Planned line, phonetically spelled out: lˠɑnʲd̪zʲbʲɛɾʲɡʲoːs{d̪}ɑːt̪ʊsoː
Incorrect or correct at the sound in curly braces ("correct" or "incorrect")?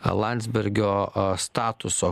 incorrect